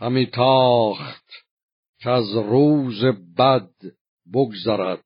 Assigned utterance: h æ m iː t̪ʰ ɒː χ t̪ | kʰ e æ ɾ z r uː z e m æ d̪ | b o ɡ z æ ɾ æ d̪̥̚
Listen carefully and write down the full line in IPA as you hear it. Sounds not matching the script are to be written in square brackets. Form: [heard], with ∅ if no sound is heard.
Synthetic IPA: h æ m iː t̪ʰ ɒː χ t̪ | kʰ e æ [∅] z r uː z e [b] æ d̪ | b o ɡ z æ ɾ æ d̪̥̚